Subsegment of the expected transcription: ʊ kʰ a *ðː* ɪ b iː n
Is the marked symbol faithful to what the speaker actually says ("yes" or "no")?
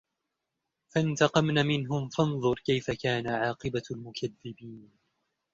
yes